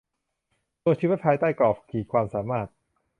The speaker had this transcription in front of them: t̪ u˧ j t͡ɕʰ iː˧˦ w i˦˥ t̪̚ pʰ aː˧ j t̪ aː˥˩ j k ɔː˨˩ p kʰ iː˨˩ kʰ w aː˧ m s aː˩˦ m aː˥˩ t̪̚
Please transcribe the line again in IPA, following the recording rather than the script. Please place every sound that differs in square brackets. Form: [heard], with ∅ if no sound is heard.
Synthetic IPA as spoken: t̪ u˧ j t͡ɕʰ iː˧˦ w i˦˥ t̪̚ pʰ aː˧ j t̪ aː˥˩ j k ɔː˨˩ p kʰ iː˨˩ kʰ w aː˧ m s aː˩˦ m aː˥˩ t̪̚